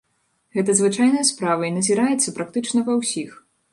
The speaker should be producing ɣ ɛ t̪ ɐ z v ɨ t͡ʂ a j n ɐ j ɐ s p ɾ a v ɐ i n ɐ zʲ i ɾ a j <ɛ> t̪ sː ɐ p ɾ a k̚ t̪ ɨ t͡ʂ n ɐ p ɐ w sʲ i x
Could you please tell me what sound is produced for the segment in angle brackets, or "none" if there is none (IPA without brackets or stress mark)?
ɛ